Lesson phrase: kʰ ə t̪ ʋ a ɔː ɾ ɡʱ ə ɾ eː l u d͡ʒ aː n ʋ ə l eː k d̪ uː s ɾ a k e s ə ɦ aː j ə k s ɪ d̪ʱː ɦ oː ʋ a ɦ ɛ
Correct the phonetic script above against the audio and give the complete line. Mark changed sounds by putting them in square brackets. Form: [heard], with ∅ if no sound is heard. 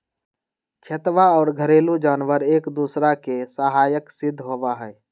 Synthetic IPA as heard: kʰ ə t̪ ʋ a ɔː ɾ ɡʱ ə ɾ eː l u d͡ʒ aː n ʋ ə [ɾ] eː k d̪ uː s ɾ a k e s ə ɦ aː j ə k s ɪ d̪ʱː ɦ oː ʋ a ɦ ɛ